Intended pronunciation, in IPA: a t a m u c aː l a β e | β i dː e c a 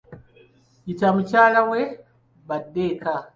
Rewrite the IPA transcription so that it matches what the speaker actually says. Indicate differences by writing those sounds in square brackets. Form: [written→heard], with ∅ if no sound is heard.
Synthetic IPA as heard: [a→i] t a m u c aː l a [β→w] e | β [i→a] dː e [c→k] a